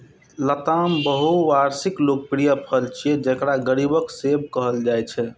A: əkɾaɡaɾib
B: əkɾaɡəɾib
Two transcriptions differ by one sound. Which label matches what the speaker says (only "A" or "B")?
B